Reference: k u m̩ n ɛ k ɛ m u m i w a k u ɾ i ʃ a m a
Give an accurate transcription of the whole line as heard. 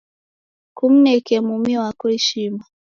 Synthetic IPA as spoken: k u m̩ n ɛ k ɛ m u m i w a k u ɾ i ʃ i m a